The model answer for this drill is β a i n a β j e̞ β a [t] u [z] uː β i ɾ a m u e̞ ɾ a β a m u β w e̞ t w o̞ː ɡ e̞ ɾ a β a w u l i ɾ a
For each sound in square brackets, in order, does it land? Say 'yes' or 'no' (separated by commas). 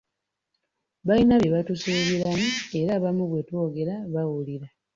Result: yes, no